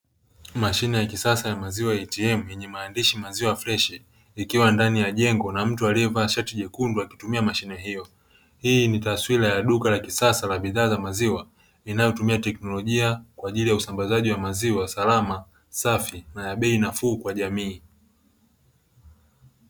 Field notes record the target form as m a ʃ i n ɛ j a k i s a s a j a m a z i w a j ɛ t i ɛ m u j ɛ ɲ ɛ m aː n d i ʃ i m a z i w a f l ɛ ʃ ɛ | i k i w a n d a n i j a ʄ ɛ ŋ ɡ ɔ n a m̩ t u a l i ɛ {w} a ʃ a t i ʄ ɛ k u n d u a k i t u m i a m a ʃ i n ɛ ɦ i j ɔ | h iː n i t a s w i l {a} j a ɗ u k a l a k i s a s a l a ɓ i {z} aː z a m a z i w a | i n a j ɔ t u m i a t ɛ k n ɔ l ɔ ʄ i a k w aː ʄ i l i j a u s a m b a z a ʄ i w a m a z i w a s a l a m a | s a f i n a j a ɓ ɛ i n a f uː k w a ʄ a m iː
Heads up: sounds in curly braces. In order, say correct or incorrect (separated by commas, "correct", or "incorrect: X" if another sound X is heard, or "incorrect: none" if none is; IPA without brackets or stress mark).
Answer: incorrect: v, correct, incorrect: ð